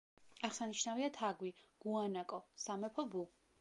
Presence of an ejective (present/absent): present